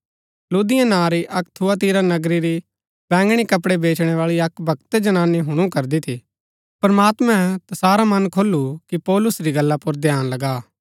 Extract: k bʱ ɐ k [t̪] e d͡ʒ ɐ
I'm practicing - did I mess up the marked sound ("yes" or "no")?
no